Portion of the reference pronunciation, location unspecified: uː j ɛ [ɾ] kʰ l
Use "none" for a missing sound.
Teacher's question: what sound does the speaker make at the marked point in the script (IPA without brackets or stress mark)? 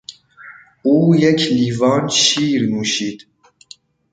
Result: none